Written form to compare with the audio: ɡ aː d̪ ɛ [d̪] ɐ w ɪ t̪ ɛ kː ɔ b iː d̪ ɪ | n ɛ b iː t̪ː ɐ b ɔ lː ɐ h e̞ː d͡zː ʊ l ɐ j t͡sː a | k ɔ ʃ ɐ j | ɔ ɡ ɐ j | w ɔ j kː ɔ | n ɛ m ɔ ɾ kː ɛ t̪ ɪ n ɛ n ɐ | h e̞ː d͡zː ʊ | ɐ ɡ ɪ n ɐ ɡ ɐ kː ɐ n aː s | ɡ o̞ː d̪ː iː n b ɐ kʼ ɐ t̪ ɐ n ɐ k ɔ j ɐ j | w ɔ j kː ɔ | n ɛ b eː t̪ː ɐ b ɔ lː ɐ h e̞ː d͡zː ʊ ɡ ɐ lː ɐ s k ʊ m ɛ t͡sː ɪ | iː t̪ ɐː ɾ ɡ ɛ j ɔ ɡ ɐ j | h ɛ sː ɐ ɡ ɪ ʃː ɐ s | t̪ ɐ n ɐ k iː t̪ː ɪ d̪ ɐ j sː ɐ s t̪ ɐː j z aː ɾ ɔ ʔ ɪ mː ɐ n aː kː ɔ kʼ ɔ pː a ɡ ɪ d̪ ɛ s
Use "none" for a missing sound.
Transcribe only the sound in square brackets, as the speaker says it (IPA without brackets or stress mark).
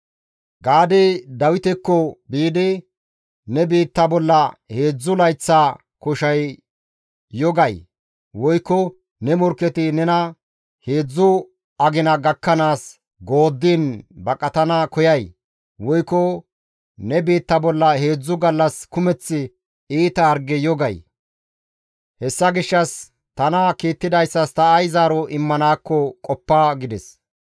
d̪